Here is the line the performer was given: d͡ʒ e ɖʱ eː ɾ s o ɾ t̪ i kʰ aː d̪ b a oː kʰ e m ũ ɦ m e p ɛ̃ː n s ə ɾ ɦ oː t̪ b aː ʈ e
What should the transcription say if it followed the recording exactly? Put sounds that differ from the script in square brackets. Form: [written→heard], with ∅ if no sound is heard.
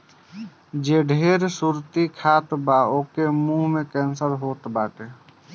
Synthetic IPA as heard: d͡ʒ e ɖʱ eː ɾ s [o→u] ɾ t̪ i kʰ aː [d̪→t̪] b a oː [kʰ→k] e m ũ ɦ m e [p→k] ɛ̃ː n s ə ɾ ɦ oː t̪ b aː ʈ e